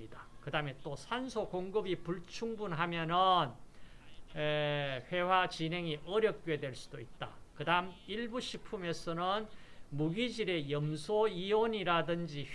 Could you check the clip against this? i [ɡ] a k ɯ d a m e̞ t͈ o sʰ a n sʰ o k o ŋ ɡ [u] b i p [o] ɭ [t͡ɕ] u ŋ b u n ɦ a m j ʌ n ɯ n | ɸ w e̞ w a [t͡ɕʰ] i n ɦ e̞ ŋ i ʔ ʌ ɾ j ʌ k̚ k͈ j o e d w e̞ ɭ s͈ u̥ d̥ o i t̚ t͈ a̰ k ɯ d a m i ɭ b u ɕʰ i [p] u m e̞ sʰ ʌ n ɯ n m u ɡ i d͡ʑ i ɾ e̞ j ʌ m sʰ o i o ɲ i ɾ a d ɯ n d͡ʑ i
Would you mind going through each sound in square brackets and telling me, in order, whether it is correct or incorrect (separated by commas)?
incorrect, incorrect, incorrect, incorrect, incorrect, incorrect